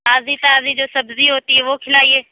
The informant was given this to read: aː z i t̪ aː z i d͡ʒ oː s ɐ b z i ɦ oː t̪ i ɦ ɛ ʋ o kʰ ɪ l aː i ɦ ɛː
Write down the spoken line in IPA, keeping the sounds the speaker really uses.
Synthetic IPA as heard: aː z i t̪ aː z i d͡ʒ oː s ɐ b z i ɦ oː t̪ i ɦ ɛ ʋ o kʰ ɪ l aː i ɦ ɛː